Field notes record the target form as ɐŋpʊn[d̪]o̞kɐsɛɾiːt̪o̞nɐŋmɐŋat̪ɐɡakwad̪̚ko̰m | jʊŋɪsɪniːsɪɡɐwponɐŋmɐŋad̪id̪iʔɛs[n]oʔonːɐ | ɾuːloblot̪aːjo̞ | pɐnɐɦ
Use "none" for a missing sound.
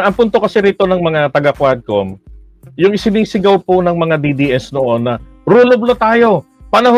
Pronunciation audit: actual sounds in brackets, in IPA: t̪, n

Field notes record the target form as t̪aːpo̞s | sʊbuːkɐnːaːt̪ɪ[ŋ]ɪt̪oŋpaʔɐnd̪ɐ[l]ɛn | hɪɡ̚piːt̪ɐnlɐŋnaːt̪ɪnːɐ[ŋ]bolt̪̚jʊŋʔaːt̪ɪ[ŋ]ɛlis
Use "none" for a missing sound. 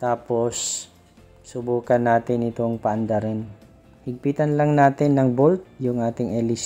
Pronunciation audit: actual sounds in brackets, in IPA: n, ɾ, ŋ, ŋ

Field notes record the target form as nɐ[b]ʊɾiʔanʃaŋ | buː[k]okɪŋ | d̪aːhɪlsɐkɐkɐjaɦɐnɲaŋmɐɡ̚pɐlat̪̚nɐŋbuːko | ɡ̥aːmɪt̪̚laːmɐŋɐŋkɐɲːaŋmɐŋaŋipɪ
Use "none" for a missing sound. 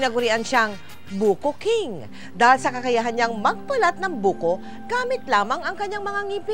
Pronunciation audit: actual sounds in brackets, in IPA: ɡ, k

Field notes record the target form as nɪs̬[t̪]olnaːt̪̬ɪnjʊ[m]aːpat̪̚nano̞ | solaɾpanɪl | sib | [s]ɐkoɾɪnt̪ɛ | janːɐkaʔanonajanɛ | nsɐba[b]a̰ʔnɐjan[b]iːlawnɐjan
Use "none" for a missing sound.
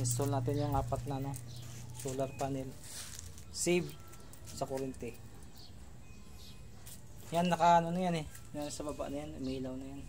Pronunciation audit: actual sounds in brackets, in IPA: t̪, ŋ, s, b, m

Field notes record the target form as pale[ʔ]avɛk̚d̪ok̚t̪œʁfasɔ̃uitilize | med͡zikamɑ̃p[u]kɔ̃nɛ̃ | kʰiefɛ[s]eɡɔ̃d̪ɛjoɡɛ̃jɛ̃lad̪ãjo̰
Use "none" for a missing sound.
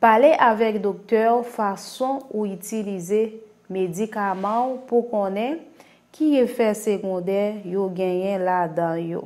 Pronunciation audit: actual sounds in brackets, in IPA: ʔ, u, s

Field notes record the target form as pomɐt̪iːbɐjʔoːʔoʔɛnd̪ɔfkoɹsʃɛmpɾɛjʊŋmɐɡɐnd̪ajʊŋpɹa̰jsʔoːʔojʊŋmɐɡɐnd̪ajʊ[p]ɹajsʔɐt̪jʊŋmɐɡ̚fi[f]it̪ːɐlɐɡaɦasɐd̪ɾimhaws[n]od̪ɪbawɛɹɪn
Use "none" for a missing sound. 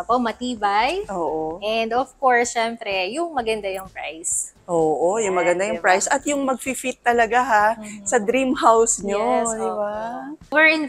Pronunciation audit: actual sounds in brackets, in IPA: p, f, ɲ

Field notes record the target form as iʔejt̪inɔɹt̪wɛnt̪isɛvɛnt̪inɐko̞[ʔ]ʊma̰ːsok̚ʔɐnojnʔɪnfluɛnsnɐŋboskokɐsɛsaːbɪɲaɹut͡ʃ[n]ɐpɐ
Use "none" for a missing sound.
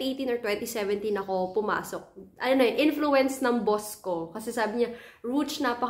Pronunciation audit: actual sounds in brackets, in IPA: p, n

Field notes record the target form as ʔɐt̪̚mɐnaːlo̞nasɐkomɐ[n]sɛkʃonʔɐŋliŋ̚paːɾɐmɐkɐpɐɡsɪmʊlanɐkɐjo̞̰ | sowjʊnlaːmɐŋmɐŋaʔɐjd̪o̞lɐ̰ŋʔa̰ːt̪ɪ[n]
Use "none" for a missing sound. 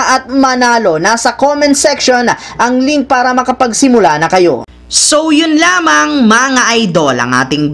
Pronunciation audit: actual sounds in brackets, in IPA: n, ŋ

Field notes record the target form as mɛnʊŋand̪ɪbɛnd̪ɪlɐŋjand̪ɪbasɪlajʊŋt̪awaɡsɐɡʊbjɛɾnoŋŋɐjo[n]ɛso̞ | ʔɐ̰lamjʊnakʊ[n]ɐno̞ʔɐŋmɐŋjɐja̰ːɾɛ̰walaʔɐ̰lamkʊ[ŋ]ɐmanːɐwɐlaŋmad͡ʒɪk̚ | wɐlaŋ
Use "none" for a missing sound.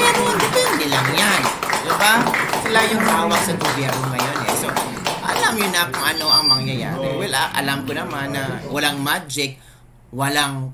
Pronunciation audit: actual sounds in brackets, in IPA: n, ŋ, n

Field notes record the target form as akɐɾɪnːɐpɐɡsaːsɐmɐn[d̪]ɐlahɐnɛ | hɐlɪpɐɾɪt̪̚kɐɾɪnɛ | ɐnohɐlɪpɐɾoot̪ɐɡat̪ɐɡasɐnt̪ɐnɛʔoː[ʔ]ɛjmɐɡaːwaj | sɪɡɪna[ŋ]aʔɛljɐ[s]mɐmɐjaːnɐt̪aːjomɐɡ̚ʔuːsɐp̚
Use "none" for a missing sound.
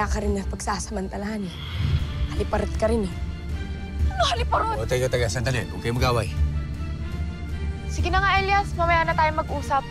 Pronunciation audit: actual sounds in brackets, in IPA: t̪, k, ŋ, s

